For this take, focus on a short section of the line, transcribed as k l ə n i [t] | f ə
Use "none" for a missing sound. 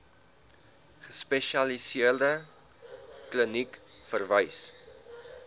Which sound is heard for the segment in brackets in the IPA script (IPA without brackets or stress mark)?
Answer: k